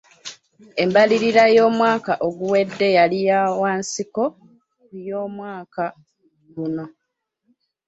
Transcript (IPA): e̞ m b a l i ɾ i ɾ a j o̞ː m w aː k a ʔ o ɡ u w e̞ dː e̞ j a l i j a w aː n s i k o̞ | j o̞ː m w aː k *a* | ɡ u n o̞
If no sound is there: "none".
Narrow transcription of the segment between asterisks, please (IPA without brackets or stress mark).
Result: a